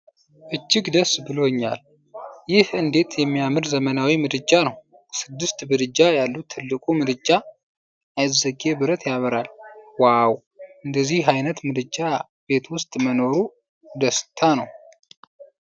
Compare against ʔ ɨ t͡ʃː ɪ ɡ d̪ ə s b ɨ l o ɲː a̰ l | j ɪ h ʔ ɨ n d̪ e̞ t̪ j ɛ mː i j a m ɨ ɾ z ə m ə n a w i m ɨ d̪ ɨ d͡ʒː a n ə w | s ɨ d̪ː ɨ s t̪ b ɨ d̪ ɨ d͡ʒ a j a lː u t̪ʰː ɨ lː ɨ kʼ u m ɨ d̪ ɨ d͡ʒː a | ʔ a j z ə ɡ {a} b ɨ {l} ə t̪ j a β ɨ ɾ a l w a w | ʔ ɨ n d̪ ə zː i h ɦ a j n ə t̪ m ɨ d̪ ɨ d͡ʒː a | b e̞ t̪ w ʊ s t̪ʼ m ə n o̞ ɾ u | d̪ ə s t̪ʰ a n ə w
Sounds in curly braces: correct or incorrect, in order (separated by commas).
incorrect, incorrect